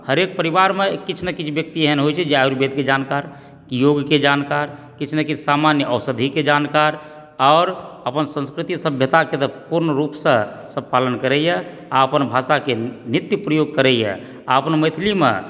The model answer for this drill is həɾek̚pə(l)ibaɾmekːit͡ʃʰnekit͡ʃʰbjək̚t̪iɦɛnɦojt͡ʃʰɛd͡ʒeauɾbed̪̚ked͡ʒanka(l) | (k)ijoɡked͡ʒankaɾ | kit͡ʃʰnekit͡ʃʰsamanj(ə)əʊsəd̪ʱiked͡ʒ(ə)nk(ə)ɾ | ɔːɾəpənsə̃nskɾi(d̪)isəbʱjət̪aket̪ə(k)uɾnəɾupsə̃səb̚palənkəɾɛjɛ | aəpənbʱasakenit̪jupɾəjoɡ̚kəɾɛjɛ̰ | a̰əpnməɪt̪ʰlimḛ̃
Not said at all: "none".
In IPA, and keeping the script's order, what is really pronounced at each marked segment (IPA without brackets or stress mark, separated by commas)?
ɾ, ɾ, k, ə, a, a, t̪, p